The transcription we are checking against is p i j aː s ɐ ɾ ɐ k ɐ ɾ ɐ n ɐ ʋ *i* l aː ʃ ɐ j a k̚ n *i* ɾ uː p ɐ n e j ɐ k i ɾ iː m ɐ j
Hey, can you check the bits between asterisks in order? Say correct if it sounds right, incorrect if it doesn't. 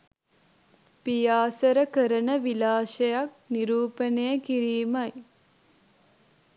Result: correct, correct

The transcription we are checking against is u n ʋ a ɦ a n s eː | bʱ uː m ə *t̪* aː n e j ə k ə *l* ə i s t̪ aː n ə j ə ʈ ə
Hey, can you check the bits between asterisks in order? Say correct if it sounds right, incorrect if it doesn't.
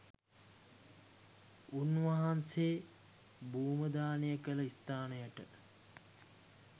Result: incorrect: d̪, correct

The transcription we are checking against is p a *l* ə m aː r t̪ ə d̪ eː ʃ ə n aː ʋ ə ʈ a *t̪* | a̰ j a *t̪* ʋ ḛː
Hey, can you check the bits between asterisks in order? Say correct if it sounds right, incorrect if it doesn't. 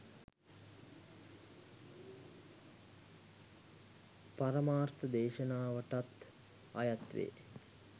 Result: incorrect: ɾ, correct, correct

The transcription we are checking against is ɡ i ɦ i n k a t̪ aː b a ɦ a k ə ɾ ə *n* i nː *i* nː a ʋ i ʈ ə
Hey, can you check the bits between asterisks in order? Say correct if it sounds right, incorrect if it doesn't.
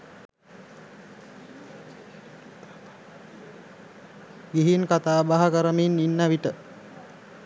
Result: incorrect: m, correct

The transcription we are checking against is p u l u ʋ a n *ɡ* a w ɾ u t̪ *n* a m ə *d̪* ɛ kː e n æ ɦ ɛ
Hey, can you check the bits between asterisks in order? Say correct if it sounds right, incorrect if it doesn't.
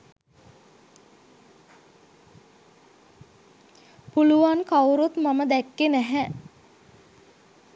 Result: incorrect: k, incorrect: m, correct

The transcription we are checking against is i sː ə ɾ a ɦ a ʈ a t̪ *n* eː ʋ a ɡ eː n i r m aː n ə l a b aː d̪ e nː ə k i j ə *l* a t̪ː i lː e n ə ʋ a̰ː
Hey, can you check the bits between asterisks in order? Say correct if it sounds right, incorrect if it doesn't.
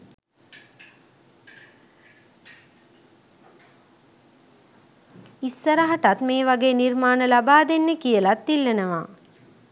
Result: incorrect: m, correct

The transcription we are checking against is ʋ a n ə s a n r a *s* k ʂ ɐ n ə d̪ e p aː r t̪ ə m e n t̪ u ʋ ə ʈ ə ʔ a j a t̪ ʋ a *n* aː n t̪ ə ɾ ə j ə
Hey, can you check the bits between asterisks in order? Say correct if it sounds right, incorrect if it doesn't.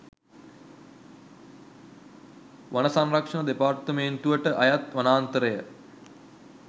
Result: incorrect: none, correct

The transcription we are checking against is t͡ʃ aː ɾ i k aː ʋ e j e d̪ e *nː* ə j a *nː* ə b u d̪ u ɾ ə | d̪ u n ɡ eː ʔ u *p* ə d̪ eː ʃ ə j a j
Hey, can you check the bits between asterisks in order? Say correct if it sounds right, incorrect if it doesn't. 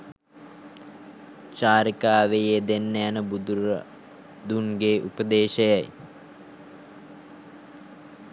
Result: correct, incorrect: n, correct

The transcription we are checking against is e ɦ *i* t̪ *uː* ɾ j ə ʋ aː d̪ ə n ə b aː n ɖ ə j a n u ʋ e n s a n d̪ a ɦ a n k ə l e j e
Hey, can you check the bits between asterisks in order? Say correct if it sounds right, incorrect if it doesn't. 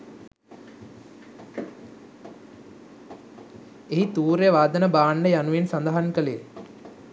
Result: correct, correct

